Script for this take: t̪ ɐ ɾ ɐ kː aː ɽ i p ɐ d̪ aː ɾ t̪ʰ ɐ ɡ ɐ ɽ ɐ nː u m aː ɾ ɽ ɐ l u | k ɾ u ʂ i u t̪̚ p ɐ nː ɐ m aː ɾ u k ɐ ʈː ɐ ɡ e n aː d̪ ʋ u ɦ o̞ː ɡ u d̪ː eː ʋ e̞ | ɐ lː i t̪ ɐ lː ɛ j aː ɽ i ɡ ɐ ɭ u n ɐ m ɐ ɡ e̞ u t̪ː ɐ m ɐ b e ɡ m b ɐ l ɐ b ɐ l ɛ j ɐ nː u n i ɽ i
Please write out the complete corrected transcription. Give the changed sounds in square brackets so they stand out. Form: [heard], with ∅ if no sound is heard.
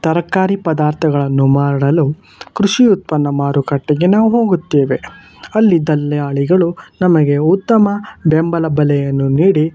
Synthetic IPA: t̪ ɐ ɾ ɐ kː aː [ɾ] i p ɐ d̪ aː ɾ t̪ʰ ɐ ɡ ɐ [ɭ] ɐ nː u m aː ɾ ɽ ɐ l u | k ɾ u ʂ i u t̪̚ p ɐ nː ɐ m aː ɾ u k ɐ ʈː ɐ ɡ e n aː [∅] ʋ u ɦ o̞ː ɡ u [t̪ː] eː ʋ e̞ | ɐ lː i [d̪] ɐ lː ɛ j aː [ɭ] i ɡ ɐ ɭ u n ɐ m ɐ ɡ e̞ u t̪ː ɐ m ɐ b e [∅] m b ɐ l ɐ b ɐ l ɛ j ɐ nː u n [iː] ɽ i